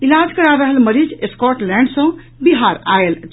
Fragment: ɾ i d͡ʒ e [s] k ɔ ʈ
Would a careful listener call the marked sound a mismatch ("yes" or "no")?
no